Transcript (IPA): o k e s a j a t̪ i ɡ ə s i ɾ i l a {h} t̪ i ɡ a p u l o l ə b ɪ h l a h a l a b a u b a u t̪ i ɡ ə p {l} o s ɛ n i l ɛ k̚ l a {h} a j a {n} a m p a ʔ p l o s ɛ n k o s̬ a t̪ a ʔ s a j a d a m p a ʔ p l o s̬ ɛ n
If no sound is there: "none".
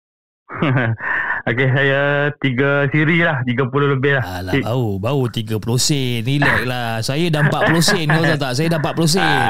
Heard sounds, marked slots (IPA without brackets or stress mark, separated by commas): h, l, s, d